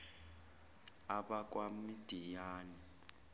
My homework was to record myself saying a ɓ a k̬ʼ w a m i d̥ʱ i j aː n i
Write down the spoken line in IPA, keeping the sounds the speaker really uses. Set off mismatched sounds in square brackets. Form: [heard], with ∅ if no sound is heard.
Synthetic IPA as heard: a ɓ a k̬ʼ w a m i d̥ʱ i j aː n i